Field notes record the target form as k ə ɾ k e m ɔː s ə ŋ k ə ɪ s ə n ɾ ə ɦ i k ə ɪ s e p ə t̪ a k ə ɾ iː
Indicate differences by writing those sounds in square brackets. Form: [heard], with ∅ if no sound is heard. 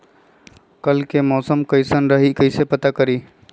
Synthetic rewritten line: k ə [l] k e m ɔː s ə [m] k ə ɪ s ə n ɾ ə ɦ i k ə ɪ s e p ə t̪ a k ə ɾ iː